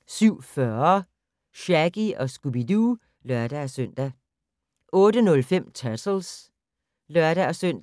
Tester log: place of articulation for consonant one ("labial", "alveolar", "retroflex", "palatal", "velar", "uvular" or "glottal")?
alveolar